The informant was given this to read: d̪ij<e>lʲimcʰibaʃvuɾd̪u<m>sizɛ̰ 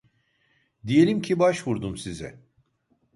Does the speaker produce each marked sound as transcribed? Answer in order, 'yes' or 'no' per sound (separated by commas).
yes, yes